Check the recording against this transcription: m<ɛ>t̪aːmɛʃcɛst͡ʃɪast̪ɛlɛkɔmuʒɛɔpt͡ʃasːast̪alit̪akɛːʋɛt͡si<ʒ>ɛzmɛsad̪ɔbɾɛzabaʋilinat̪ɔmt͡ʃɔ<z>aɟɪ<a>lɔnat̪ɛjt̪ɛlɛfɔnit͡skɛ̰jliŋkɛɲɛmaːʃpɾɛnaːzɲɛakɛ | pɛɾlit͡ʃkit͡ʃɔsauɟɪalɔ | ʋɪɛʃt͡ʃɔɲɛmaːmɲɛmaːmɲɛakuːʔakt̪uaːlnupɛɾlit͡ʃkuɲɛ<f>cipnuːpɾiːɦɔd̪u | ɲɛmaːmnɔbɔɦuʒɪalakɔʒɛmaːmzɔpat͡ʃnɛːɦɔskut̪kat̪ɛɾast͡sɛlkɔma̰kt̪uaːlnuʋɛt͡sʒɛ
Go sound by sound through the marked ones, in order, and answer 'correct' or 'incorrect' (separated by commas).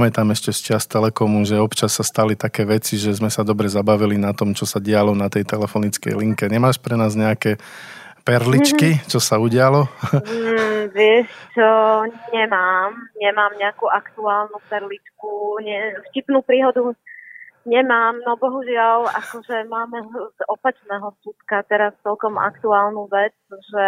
correct, correct, incorrect, correct, correct